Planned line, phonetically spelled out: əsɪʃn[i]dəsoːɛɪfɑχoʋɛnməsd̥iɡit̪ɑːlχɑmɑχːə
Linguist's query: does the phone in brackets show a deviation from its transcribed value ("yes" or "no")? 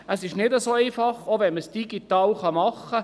yes